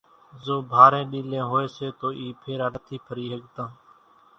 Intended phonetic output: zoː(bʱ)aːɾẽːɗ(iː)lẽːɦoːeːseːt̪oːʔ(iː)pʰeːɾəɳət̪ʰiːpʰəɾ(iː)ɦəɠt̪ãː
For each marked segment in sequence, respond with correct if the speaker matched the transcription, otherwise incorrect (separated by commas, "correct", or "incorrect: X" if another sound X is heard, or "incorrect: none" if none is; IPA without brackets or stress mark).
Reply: correct, correct, correct, correct